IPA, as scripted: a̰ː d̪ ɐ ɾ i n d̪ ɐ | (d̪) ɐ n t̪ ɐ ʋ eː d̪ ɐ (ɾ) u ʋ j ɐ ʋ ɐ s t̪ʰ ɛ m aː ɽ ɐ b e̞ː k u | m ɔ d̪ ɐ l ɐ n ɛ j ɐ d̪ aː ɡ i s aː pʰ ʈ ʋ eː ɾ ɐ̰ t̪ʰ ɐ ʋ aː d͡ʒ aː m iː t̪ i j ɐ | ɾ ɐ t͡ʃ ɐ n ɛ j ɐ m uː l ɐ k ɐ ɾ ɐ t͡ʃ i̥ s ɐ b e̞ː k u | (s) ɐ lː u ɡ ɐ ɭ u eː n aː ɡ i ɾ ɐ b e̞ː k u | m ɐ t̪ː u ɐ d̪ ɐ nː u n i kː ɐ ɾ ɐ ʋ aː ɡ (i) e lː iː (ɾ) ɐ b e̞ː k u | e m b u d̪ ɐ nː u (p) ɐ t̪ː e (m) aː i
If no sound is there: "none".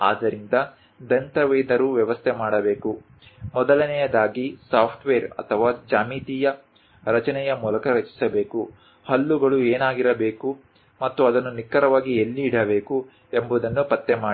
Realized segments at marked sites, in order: d̪, ɾ, h, i, ɽ, p, m

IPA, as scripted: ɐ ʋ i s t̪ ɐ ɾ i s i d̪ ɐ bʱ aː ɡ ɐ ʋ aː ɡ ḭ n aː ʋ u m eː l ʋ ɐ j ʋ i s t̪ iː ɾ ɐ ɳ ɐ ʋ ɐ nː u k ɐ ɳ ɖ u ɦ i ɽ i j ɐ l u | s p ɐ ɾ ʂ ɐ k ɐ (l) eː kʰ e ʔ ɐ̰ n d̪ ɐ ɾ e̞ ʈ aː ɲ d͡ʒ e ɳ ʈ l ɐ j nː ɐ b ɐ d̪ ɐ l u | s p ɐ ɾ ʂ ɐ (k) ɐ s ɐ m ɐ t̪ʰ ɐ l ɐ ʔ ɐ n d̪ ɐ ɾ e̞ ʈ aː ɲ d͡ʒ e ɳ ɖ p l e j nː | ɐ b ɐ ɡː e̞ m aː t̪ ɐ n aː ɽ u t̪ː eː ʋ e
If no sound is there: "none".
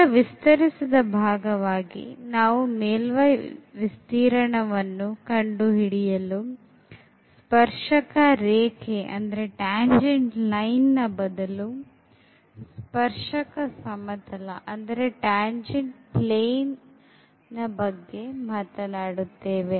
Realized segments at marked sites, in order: ɾ, k

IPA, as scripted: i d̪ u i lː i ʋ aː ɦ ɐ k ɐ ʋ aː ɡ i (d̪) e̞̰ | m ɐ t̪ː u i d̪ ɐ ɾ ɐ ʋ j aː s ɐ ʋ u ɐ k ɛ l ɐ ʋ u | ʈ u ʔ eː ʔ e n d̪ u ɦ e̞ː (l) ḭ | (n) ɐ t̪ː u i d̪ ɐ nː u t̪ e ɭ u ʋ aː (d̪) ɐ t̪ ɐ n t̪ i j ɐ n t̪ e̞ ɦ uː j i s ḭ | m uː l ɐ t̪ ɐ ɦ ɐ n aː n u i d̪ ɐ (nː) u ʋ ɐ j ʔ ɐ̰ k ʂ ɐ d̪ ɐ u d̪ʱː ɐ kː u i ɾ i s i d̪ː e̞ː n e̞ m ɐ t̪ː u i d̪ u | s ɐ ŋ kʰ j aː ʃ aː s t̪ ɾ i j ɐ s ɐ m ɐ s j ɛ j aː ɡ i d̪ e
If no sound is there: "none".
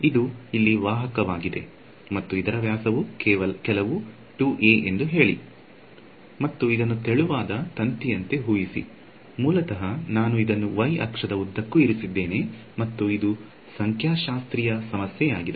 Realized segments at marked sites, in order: d̪, ɭ, m, d̪, nː

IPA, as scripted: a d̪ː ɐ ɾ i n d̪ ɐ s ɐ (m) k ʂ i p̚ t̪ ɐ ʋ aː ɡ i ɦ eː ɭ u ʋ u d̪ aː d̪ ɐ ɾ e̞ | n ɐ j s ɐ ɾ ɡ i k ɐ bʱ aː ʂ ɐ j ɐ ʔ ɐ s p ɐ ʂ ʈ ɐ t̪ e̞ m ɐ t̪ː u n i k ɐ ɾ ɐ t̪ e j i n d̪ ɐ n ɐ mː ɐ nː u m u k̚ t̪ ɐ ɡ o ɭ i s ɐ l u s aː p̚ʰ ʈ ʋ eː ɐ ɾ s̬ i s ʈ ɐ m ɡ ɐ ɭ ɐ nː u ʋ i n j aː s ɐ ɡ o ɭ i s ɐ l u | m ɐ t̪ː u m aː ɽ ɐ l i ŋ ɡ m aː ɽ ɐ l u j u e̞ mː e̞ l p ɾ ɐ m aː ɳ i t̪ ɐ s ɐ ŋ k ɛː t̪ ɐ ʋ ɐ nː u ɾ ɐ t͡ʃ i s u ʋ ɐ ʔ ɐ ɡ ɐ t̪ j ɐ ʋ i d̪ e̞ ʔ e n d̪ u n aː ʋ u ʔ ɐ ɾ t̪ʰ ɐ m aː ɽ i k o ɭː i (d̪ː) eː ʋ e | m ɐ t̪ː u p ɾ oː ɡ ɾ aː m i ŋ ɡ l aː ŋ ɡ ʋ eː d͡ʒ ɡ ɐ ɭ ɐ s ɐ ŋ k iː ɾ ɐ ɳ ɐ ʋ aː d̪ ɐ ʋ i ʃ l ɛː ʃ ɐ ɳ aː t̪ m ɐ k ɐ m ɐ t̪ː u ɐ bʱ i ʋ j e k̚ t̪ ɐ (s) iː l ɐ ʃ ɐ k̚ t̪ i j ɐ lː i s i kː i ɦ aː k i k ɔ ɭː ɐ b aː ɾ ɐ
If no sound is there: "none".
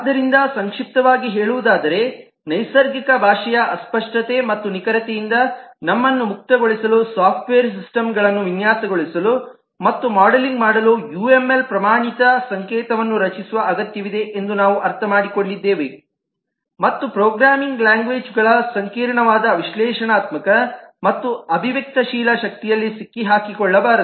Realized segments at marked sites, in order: ŋ, d̪ː, ʃ

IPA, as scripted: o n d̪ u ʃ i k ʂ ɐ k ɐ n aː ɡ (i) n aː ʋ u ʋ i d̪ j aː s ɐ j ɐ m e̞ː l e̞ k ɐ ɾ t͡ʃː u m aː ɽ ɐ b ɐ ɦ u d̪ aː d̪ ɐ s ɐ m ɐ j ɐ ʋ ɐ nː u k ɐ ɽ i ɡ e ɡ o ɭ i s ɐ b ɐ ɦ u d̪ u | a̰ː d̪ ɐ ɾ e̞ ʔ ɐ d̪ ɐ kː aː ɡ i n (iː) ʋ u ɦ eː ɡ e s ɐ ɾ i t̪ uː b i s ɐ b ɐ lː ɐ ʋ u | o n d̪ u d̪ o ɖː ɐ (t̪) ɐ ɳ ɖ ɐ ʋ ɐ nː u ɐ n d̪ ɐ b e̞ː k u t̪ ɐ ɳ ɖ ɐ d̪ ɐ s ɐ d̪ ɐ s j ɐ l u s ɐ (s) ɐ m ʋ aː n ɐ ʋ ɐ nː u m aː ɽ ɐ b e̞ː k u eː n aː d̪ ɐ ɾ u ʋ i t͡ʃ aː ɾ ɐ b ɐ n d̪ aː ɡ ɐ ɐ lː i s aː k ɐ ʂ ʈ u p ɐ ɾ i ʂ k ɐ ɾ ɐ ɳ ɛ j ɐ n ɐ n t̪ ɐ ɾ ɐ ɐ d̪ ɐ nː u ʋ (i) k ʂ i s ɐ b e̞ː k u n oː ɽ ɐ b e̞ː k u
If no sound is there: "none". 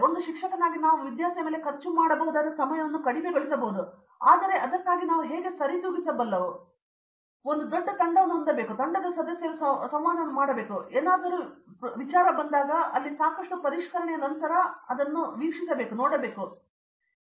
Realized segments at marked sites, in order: i, aː, t̪, s, iː

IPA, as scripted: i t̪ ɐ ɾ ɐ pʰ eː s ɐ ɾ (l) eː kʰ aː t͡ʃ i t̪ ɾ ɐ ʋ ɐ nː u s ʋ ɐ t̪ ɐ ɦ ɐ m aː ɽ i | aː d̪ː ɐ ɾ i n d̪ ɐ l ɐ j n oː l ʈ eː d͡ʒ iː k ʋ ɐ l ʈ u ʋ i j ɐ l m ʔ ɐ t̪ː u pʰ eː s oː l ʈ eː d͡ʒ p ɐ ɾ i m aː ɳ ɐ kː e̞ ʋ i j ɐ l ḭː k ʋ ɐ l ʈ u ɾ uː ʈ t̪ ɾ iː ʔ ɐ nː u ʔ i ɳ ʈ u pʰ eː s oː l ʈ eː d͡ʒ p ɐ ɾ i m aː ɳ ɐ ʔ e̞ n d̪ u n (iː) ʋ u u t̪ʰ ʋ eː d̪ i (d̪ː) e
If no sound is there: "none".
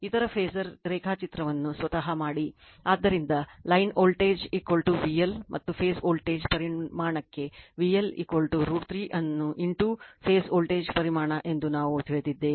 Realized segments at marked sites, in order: ɾ, aː, d̪ː

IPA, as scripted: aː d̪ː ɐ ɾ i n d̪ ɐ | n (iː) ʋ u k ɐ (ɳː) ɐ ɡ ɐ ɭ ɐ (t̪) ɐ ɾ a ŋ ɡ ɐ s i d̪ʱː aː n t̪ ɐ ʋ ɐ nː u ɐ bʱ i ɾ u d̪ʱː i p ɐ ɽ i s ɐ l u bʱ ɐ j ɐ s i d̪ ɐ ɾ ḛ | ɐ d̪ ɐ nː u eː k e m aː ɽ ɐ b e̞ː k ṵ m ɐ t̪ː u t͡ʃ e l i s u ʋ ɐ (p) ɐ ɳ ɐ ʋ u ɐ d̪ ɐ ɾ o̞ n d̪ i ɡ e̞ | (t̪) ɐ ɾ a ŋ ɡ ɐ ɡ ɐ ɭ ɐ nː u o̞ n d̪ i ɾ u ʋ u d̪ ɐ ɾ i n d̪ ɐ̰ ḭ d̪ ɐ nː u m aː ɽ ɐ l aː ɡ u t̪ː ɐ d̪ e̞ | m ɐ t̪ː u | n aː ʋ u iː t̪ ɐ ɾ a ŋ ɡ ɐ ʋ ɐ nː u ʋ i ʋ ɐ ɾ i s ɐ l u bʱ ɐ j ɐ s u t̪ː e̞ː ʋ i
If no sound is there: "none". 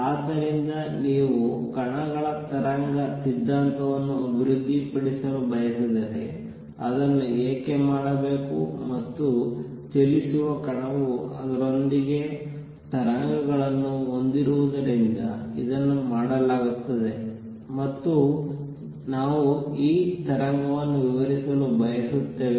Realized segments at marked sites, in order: iː, ɳ, t̪, k, t̪

